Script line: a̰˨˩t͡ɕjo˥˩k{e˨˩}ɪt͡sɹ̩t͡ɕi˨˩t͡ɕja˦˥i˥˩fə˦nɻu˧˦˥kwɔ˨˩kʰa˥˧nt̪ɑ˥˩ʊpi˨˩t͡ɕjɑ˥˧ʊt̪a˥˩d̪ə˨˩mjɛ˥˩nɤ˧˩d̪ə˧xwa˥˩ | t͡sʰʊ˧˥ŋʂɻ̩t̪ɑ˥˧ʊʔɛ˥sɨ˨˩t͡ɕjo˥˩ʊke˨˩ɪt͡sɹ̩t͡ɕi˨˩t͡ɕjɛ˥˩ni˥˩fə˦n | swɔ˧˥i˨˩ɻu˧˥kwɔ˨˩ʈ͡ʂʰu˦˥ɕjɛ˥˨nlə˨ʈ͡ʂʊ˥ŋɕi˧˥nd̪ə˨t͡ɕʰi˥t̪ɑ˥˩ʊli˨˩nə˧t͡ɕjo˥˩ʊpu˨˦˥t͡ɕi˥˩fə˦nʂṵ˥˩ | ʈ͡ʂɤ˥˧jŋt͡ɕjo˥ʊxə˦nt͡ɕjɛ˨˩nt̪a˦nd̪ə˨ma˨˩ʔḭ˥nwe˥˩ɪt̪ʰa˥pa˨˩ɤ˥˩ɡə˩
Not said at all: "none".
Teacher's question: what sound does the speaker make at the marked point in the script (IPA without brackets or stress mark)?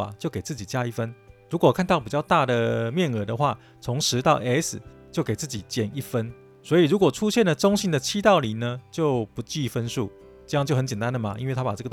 e˨˩